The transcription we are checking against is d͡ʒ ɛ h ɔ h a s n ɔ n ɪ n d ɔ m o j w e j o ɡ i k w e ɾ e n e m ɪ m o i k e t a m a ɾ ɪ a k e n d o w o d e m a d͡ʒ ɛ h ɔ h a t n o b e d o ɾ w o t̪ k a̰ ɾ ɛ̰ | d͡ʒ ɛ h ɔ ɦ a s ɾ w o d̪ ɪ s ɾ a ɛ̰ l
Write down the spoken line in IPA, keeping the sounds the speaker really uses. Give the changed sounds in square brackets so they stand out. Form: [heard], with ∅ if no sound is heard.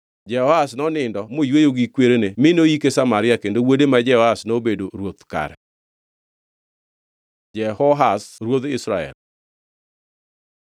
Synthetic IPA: d͡ʒ ɛ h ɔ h a s n ɔ n ɪ n d ɔ m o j w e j o ɡ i k w e ɾ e n e m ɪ [n] o i k e [s] a m a ɾ ɪ a k e n d o w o d e m a d͡ʒ ɛ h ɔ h a [s] n o b e d o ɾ w o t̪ k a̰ ɾ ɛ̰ | d͡ʒ ɛ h ɔ ɦ a s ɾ w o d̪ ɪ s ɾ a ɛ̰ l

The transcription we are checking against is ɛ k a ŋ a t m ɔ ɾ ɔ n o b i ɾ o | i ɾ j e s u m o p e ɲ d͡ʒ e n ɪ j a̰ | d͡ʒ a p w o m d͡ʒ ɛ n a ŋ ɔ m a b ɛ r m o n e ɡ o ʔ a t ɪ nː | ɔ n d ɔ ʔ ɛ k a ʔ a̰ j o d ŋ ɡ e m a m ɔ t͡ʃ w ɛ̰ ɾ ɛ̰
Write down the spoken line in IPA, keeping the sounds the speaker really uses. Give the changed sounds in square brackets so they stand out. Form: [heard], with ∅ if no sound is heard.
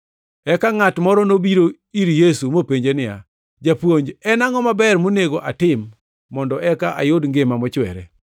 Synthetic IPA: ɛ k a ŋ a t m ɔ ɾ ɔ n o b i ɾ o | i ɾ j e s u m o p e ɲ d͡ʒ e n ɪ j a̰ | d͡ʒ a p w o [ɲ] d͡ʒ ɛ n a ŋ ɔ m a b ɛ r m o n e ɡ o ʔ a t ɪ [mː] | ɔ n d ɔ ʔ ɛ k a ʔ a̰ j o d ŋ ɡ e m a m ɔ t͡ʃ w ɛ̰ ɾ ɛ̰

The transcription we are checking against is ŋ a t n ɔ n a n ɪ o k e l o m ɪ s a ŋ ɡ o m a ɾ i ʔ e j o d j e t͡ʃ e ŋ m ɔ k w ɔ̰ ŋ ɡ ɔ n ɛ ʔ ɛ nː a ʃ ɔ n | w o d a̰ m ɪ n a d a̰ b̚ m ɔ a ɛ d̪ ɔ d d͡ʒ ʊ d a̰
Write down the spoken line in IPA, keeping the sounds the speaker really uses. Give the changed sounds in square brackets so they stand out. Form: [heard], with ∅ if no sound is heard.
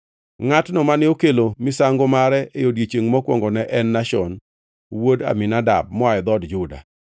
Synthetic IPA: ŋ a t n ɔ [m] a n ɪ o k e l o m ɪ s a ŋ ɡ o m a ɾ [ɛ] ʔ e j o d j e t͡ʃ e ŋ m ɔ k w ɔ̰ ŋ ɡ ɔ n ɛ ʔ ɛ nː a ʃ ɔ n | w o d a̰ m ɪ n a d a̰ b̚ m ɔ a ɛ d̪ ɔ d d͡ʒ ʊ d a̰

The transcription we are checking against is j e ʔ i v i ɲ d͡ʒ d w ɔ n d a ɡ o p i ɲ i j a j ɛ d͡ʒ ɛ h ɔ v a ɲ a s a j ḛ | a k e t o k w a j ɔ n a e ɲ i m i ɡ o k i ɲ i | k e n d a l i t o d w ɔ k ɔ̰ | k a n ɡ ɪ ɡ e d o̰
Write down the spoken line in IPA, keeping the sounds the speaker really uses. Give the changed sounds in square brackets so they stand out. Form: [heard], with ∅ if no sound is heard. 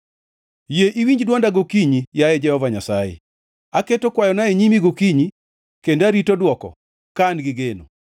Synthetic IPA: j e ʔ i [w] i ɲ d͡ʒ d w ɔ n d a ɡ o [k] i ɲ i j a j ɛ d͡ʒ ɛ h ɔ v a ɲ a s a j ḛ | a k e t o k w a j ɔ n a e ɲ i m i ɡ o k i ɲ i | k e n d a [ɾ] i t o d w ɔ k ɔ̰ | k a n ɡ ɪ ɡ e [n] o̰

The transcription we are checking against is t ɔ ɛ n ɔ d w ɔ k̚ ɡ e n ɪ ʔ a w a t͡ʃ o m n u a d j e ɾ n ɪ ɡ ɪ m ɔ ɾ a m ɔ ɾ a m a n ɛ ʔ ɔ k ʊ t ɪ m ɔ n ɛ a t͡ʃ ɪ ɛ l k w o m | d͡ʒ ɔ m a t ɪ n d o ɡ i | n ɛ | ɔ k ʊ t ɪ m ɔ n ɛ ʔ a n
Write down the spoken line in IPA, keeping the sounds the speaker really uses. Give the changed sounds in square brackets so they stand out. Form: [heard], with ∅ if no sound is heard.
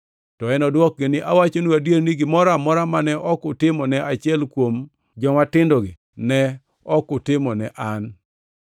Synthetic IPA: t ɔ ɛ n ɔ d w ɔ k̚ ɡ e n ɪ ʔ a w a t͡ʃ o [∅] n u a d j e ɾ n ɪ ɡ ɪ m ɔ ɾ a m ɔ ɾ a m a n ɛ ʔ ɔ k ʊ t ɪ m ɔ n ɛ a t͡ʃ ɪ ɛ l k w o m | d͡ʒ ɔ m a t ɪ n d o ɡ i | n ɛ | ɔ k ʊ t ɪ m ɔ n ɛ ʔ a n

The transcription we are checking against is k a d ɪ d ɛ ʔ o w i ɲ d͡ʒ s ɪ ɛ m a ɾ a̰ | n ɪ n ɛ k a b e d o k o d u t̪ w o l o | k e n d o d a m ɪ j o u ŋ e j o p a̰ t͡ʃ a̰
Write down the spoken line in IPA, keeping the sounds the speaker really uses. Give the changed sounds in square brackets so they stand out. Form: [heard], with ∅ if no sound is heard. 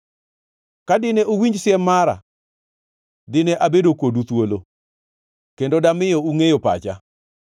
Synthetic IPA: k a d ɪ [n] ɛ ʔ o w i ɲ d͡ʒ s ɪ ɛ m a ɾ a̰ | [d] ɪ n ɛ [ʔ] a b e d o k o d u t̪ w o l o | k e n d o d a m ɪ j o u ŋ e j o p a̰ t͡ʃ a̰

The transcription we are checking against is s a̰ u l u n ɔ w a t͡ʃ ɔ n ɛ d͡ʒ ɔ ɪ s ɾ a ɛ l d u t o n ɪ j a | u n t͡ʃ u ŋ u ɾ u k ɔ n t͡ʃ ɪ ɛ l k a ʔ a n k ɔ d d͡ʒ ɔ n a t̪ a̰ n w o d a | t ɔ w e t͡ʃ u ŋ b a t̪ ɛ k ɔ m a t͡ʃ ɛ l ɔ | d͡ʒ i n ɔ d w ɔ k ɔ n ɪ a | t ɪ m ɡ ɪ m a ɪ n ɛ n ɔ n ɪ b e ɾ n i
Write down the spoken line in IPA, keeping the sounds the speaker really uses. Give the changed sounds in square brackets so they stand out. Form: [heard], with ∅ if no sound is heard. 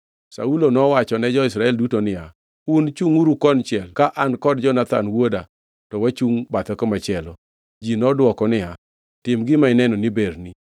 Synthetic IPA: s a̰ u l [o] n ɔ w a t͡ʃ ɔ n ɛ d͡ʒ ɔ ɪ s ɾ a ɛ l d u t o n ɪ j a | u n t͡ʃ u ŋ u ɾ u k ɔ n t͡ʃ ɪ ɛ l k a ʔ a n k ɔ d d͡ʒ ɔ n a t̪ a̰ n w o d a | t ɔ w [a] t͡ʃ u ŋ b a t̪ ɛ k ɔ m a t͡ʃ ɛ l ɔ | d͡ʒ i n ɔ d w ɔ k ɔ n ɪ a | t ɪ m ɡ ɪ m a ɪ n ɛ n ɔ n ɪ b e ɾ n i

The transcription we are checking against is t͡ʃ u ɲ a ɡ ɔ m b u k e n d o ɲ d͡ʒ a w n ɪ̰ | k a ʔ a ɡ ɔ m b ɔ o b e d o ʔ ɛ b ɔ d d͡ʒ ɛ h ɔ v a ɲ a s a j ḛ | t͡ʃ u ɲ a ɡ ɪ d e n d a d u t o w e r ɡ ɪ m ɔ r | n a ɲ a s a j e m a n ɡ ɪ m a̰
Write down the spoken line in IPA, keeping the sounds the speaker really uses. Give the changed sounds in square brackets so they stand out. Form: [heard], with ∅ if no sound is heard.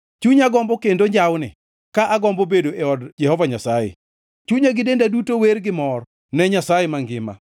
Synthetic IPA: t͡ʃ u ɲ a ɡ ɔ m b [ɔ] k e n d o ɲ d͡ʒ a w n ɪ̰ | k a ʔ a ɡ ɔ m b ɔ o b e d o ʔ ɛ [∅] ɔ d d͡ʒ ɛ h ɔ v a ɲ a s a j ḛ | t͡ʃ u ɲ a ɡ ɪ d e n d a d u t o w e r ɡ ɪ m ɔ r | n [ɛ] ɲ a s a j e m a [ŋ] ɡ ɪ m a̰

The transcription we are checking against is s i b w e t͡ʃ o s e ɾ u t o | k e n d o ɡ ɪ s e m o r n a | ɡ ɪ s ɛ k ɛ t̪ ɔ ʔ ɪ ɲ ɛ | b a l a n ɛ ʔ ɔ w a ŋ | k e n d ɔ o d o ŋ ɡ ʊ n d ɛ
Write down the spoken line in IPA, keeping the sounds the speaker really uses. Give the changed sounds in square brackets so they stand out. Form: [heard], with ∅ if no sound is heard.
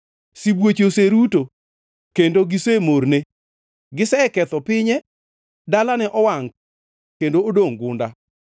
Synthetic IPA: s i b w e t͡ʃ o s e ɾ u t o | k e n d o ɡ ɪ s e m o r n [e] | ɡ ɪ s ɛ k ɛ t̪ ɔ [p] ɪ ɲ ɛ | [d] a l a n ɛ ʔ ɔ w a ŋ | k e n d [o] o d o ŋ ɡ ʊ n d [a]

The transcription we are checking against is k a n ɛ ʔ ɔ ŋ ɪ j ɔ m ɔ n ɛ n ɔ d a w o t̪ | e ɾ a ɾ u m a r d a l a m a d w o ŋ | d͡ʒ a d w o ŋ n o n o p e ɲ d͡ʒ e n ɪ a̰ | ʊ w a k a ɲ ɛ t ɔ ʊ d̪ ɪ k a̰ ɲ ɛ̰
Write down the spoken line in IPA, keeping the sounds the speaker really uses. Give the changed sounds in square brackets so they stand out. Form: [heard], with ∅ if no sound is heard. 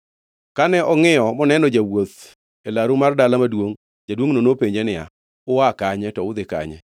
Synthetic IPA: k a n ɛ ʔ ɔ ŋ ɪ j ɔ m ɔ n ɛ n ɔ [d͡ʒ] a w o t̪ | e [l] a ɾ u m a r d a l a m a d w o ŋ | d͡ʒ a d w o ŋ n o n o p e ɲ d͡ʒ e n ɪ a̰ | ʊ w a k a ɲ ɛ t ɔ ʊ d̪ ɪ k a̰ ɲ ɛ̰

